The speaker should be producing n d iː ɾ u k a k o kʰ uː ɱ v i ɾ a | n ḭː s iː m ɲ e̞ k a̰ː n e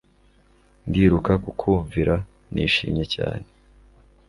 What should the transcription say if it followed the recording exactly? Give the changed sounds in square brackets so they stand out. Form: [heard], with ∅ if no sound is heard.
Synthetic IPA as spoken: n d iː ɾ u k a k [u] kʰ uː ɱ v i ɾ a | n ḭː [ʃ] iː m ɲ e̞ [c] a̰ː n e